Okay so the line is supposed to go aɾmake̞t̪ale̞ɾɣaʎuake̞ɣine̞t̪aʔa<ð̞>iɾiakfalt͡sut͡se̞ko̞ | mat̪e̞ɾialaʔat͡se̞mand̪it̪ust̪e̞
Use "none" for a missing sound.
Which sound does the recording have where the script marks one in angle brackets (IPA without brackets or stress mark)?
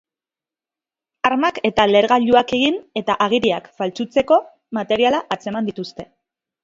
ɣ̞